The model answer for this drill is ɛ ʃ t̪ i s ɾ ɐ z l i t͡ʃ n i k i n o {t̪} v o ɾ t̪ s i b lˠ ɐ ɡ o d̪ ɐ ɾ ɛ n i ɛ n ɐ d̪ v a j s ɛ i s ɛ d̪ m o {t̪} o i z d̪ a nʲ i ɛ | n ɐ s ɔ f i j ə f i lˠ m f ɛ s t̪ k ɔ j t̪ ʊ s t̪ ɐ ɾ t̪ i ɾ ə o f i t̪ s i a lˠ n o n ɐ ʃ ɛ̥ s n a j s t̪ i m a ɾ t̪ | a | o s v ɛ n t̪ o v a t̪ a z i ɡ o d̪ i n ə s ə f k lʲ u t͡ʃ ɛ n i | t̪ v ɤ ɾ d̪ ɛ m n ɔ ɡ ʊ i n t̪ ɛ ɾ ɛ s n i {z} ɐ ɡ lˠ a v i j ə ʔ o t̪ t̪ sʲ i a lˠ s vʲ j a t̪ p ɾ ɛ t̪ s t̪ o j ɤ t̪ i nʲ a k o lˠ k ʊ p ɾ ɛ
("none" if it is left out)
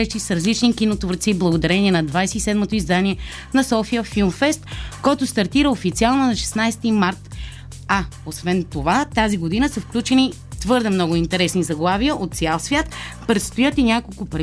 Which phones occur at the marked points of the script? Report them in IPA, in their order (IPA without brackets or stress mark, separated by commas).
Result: t̪, t̪, z